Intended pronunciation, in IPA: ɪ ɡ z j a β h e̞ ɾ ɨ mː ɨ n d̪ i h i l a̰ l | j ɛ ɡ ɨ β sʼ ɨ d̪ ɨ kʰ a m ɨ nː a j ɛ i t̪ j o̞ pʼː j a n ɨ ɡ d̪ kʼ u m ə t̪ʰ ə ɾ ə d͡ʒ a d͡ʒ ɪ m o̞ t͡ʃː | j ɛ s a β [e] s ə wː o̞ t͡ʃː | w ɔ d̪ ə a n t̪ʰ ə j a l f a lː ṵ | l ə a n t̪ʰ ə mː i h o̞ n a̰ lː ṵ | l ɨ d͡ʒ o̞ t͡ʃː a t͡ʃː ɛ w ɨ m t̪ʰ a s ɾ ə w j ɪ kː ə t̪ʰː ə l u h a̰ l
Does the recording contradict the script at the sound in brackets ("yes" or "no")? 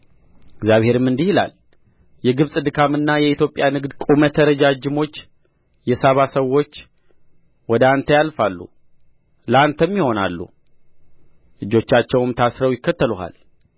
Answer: yes